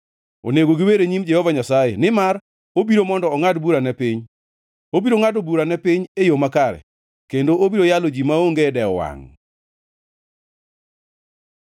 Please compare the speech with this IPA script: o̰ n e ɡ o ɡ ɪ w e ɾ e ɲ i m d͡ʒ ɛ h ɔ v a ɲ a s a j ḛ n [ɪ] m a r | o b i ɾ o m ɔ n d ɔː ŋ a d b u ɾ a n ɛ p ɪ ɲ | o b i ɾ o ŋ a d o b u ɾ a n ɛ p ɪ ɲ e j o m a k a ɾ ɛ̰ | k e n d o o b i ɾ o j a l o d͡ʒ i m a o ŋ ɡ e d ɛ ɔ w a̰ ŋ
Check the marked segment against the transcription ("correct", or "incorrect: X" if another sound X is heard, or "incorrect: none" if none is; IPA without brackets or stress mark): correct